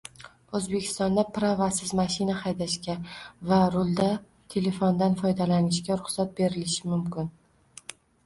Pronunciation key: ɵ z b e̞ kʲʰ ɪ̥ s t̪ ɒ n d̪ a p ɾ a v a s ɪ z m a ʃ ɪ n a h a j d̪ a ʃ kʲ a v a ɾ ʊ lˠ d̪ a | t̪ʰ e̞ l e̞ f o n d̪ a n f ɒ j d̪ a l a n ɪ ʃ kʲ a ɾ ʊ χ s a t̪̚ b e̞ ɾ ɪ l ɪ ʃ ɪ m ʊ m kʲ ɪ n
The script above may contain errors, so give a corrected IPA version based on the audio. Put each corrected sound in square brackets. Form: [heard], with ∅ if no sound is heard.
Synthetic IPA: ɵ z b e̞ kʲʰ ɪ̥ s t̪ ɒ n d̪ a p ɾ a v a s ɪ z m a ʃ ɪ n a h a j d̪ a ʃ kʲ a v a ɾ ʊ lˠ d̪ a | t̪ʰ e̞ l e̞ f o n d̪ a n f ɒ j d̪ a l a n ɪ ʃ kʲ a ɾ ʊ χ s a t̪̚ b e̞ ɾ ɪ l ɪ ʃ ɪ m ʊ m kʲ ɪ n